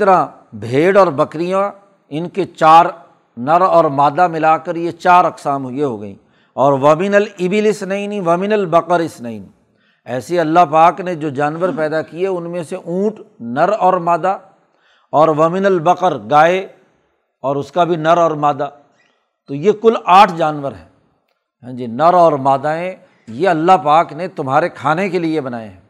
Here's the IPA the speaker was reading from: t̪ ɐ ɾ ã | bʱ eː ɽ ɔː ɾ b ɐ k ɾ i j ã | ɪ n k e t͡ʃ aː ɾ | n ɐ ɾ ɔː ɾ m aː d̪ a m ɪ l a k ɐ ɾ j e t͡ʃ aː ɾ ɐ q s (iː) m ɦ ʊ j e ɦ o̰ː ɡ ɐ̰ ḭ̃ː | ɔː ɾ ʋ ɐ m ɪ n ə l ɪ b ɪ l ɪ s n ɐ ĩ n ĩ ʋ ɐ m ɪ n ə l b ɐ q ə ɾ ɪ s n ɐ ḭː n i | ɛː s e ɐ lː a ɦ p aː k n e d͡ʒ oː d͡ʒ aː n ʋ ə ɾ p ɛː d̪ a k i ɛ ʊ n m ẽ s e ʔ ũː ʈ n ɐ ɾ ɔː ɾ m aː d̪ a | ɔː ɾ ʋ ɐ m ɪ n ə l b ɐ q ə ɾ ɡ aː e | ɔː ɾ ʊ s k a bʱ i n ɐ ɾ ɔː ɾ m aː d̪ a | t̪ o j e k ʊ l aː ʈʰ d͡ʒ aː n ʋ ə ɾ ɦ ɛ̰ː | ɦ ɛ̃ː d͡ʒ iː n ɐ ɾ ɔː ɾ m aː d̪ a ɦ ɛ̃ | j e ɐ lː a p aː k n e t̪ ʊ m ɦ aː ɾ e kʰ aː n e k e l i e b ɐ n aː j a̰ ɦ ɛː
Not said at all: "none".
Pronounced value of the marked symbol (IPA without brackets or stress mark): aː